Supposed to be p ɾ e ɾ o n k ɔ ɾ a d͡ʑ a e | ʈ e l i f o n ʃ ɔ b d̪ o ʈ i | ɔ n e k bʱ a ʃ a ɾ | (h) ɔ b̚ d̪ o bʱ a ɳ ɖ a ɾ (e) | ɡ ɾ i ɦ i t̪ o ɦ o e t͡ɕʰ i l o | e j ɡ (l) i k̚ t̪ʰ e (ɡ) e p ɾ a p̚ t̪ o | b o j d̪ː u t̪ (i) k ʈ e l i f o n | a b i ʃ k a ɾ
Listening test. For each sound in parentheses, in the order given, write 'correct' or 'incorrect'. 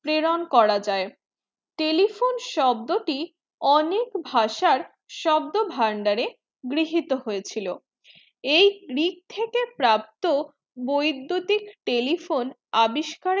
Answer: incorrect, correct, incorrect, incorrect, correct

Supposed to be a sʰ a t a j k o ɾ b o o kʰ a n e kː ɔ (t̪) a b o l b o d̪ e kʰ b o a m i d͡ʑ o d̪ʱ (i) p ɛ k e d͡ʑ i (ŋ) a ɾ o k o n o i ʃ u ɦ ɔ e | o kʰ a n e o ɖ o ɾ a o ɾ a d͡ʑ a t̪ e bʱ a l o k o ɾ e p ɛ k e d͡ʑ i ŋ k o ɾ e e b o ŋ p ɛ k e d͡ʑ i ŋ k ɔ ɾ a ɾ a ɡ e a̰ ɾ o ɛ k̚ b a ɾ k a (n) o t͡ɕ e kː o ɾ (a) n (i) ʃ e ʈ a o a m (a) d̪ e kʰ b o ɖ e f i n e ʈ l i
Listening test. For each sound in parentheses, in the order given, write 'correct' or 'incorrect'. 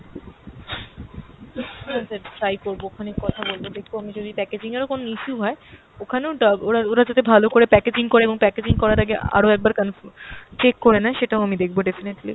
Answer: incorrect, correct, correct, correct, incorrect, incorrect, incorrect

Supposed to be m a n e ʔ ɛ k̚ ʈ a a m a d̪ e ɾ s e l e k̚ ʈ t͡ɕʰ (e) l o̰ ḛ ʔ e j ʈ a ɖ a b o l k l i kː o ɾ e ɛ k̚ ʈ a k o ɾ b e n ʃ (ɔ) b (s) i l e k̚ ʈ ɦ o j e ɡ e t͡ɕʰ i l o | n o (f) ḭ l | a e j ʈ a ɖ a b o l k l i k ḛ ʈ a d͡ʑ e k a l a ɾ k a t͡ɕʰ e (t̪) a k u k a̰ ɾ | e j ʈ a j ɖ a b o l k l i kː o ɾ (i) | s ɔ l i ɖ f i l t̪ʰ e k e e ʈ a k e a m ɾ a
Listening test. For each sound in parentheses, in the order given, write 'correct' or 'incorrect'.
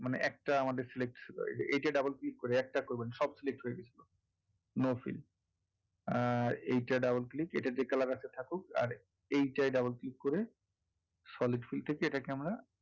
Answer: incorrect, correct, correct, correct, incorrect, incorrect

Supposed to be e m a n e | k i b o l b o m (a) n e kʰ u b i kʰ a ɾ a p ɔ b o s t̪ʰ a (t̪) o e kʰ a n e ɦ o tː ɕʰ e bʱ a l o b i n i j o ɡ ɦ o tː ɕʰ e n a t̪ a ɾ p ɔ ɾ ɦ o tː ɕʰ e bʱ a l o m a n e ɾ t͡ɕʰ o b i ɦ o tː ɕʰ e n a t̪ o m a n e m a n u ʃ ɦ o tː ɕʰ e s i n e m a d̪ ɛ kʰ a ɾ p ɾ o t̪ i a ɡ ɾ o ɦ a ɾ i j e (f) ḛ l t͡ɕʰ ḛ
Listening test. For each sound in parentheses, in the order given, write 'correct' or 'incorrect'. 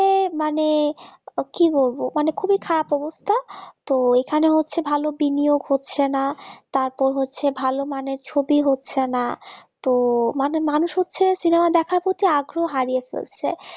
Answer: correct, correct, correct

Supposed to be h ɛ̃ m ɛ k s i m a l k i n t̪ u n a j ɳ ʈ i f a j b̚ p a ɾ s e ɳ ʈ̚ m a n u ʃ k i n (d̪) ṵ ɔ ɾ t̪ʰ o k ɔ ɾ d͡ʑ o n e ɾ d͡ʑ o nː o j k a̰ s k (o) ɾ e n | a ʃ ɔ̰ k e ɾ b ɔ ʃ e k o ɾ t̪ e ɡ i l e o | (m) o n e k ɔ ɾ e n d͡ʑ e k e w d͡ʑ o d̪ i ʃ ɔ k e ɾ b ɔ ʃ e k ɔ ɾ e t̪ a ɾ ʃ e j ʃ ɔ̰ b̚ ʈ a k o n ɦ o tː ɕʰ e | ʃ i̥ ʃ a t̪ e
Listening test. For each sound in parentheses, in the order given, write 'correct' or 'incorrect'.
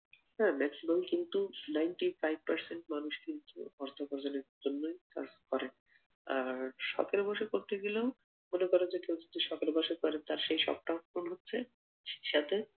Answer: incorrect, incorrect, correct

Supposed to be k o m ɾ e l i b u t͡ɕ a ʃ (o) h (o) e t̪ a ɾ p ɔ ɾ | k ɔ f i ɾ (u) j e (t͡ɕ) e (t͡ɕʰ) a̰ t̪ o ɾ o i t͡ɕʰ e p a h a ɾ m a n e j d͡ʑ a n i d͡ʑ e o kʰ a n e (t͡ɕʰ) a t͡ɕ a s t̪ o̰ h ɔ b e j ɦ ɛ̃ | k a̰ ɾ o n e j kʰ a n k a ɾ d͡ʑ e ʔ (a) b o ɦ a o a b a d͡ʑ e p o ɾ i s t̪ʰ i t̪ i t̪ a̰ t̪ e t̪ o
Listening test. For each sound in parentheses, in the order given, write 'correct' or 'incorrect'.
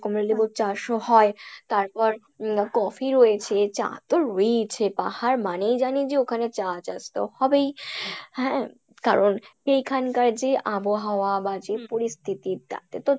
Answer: correct, incorrect, incorrect, incorrect, incorrect, incorrect, correct

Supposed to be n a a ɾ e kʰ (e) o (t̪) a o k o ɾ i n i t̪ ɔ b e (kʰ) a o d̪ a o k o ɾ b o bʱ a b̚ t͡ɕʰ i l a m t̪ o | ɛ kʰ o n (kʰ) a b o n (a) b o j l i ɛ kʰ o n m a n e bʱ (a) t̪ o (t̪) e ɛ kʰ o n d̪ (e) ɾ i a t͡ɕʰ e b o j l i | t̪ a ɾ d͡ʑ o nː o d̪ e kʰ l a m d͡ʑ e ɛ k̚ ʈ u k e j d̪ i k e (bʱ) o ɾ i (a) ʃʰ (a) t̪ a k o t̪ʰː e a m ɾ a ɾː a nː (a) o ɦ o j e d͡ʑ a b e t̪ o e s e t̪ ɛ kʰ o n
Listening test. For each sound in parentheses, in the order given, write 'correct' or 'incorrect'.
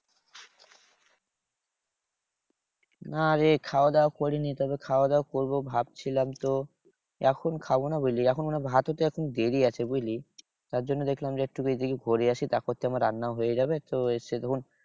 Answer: incorrect, incorrect, correct, correct, correct, correct, correct, correct, incorrect, correct, incorrect, correct

